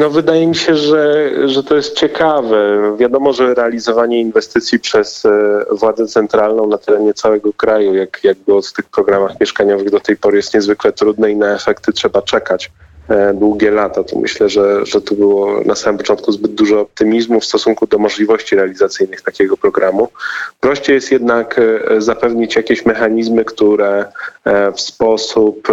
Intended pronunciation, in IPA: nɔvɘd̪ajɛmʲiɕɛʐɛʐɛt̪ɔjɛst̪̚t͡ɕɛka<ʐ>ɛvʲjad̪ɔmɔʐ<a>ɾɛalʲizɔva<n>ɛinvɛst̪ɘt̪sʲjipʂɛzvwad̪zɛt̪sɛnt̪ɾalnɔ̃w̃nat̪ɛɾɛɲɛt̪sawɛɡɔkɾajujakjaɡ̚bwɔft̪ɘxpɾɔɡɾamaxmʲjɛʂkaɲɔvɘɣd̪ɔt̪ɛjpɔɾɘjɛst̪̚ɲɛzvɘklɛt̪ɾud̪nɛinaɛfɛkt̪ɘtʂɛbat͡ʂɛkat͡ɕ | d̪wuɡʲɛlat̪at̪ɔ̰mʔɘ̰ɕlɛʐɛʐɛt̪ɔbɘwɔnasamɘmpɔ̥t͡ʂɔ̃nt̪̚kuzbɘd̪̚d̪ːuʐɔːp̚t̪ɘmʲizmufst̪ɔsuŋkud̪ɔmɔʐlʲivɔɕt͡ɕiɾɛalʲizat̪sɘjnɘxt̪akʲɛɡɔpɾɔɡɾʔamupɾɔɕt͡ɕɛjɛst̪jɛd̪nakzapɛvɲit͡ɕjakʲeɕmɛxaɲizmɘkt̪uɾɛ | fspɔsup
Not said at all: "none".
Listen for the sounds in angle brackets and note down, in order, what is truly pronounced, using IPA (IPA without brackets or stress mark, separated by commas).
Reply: v, ɛ, ɲ